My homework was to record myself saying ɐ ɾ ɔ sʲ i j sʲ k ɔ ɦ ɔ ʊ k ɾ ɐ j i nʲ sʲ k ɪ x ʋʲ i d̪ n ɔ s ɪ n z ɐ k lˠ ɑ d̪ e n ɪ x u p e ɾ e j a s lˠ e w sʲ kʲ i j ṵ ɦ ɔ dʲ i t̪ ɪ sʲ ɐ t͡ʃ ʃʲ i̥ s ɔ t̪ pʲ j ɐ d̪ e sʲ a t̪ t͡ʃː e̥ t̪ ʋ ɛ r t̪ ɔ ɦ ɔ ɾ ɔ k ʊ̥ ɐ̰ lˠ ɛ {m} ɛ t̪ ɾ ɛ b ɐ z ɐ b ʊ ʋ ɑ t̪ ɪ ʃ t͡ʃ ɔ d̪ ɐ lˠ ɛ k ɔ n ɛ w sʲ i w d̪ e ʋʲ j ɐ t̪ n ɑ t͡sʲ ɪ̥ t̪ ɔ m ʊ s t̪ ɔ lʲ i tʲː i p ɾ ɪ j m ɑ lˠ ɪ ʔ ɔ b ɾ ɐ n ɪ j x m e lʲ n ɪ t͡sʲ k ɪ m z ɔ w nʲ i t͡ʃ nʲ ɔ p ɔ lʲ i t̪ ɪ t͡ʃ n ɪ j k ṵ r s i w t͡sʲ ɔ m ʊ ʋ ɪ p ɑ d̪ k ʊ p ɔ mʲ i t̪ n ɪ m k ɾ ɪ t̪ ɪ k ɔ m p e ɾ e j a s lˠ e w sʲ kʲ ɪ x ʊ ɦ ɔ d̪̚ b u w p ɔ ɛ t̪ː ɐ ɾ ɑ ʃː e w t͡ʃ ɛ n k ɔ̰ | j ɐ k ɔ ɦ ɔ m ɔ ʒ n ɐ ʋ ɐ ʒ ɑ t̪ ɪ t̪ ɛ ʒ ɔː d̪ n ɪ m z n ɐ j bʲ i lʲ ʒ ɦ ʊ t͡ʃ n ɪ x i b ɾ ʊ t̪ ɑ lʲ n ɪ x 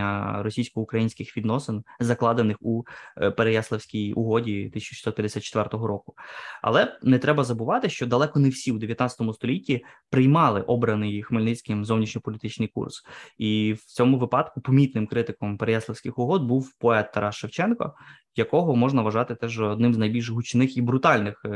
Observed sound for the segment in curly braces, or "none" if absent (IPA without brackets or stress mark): n